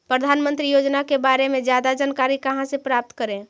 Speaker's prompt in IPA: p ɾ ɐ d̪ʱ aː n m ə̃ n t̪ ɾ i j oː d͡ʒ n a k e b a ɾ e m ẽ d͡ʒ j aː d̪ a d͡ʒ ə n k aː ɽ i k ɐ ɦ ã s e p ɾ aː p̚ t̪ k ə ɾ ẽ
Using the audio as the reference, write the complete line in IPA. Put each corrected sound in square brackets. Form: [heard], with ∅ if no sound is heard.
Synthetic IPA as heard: p ɾ [ə] d̪ʱ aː n m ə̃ n t̪ ɾ i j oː d͡ʒ n a k e b a ɾ e m ẽ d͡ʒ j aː d̪ a d͡ʒ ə n k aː [ɾ] i k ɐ ɦ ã s e p ɾ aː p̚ t̪ k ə ɾ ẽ